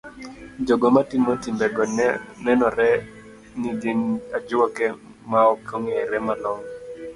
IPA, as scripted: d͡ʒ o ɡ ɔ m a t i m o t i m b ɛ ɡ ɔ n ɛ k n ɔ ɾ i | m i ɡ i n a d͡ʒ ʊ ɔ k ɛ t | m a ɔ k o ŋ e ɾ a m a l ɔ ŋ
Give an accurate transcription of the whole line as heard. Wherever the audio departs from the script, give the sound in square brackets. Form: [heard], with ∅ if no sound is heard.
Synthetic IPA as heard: d͡ʒ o ɡ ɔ m a t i m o t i m b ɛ ɡ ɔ n ɛ [∅] n ɔ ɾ [ɛ] | [n] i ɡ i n a d͡ʒ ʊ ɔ k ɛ [∅] | m a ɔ k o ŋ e ɾ [ɛ] m a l ɔ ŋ

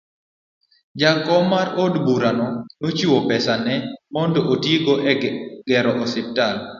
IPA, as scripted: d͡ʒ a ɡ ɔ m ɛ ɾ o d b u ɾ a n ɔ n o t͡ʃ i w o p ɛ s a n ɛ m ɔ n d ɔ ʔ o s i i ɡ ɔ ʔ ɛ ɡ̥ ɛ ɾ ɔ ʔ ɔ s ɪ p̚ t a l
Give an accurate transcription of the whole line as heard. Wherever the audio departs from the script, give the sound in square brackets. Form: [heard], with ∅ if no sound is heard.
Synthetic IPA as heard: d͡ʒ a [k] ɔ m [a] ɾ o d b u ɾ a n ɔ n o t͡ʃ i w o p ɛ s a n ɛ m ɔ n d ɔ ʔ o [t] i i ɡ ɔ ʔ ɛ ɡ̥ ɛ ɾ ɔ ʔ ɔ s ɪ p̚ t a l

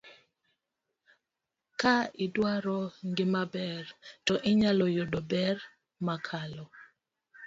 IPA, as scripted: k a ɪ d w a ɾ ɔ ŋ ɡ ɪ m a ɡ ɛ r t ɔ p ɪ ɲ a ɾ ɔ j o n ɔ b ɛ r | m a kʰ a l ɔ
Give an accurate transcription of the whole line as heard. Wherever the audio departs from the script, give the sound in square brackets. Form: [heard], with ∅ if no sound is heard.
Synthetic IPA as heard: k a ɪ d w a ɾ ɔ ŋ ɡ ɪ m a [b] ɛ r t ɔ [ʔ] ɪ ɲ a [l] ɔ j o [d] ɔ b ɛ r | m a kʰ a l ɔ

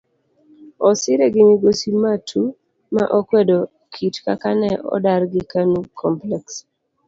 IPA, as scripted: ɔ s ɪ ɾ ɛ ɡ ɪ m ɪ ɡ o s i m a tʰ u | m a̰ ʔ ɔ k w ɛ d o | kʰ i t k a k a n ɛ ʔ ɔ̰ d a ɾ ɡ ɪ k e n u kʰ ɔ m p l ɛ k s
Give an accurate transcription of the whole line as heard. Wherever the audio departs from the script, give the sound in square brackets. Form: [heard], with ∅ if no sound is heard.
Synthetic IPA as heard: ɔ s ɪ ɾ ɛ ɡ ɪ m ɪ ɡ o s i m a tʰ u | m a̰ ʔ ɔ k w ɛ d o | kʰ i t k a k a n ɛ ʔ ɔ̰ d a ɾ ɡ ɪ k [a] n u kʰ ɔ m p l ɛ k s

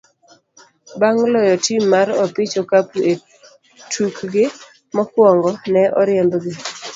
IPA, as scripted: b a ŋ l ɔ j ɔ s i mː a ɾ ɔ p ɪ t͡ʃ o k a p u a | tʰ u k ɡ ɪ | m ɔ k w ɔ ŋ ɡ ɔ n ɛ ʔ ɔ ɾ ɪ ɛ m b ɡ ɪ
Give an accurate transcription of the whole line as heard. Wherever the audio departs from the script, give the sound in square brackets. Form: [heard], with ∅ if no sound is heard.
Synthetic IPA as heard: b a ŋ l ɔ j ɔ [t] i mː a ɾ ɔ p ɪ t͡ʃ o k a p u [e] | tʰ u k ɡ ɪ | m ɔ k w ɔ ŋ ɡ ɔ n ɛ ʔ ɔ ɾ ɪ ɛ m b ɡ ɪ

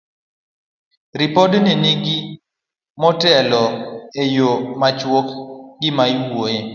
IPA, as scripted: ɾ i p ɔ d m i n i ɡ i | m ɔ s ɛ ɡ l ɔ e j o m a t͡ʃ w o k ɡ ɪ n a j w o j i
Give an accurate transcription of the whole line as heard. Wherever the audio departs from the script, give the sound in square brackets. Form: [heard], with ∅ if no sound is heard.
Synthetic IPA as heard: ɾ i p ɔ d [n] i n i ɡ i | m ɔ [t] ɛ [∅] l ɔ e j o m a t͡ʃ w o k ɡ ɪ [m] a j w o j [e]

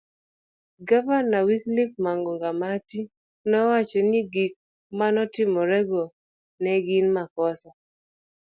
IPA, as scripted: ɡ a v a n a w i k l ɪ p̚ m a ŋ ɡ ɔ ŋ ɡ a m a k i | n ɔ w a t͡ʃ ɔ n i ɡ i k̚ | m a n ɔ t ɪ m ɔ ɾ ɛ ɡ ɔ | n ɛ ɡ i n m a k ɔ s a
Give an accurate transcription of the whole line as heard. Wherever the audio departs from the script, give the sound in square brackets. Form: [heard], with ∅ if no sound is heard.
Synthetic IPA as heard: ɡ a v a n a w i k l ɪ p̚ m a ŋ ɡ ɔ ŋ ɡ a m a [t] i | n ɔ w a t͡ʃ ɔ n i ɡ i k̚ | m a n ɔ t ɪ m ɔ ɾ ɛ ɡ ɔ | n ɛ ɡ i n m a k ɔ s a

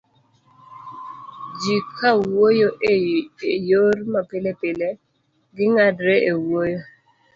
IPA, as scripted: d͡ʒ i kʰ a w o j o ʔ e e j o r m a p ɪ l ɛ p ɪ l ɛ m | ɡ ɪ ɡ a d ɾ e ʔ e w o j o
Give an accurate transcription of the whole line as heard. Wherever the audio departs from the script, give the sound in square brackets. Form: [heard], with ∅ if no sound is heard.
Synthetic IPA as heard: d͡ʒ i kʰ a w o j o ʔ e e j o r m a p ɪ l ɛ p ɪ l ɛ [∅] | ɡ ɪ [ŋ] a d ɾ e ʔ e w o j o

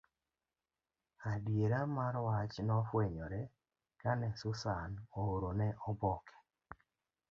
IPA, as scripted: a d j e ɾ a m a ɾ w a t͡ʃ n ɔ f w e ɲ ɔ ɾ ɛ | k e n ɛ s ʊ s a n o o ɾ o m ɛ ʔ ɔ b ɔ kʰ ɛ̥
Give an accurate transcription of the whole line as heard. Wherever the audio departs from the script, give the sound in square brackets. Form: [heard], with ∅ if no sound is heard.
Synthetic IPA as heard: a d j e ɾ a m a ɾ w a t͡ʃ n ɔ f w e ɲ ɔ ɾ ɛ | k [a] n ɛ s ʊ s a n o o ɾ o [n] ɛ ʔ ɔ b ɔ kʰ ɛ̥

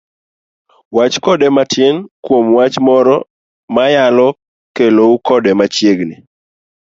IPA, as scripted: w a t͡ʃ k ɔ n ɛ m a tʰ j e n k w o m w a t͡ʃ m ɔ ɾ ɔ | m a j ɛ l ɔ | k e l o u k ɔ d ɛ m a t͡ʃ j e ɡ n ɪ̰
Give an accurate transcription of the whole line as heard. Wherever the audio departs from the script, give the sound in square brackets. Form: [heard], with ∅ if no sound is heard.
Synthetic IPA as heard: w a t͡ʃ k ɔ [d] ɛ m a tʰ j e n k w o m w a t͡ʃ m ɔ ɾ ɔ | m a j [a] l ɔ | k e l o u k ɔ d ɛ m a t͡ʃ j e ɡ n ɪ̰

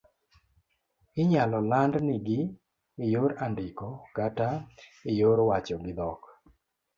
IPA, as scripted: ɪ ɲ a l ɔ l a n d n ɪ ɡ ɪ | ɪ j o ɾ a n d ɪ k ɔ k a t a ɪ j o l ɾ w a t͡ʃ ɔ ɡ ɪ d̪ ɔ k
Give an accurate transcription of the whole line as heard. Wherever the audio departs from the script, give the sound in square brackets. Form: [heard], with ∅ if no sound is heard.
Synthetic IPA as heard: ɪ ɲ a l ɔ l a n d n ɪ ɡ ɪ | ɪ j o ɾ a n d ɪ k ɔ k a t a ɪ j o [∅] ɾ w a t͡ʃ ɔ ɡ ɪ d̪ ɔ k

